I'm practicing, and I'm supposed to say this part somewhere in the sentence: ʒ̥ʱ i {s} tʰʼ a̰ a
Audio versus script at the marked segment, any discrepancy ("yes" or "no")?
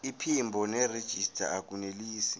no